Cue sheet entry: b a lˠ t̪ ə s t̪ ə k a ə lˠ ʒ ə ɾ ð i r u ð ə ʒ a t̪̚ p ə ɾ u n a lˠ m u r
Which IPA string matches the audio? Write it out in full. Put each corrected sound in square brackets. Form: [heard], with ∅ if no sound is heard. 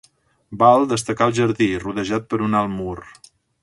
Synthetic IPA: b a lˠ [d̪] ə s t̪ ə k a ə lˠ ʒ ə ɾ ð i r u ð ə ʒ a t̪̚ p ə ɾ u n a lˠ m u r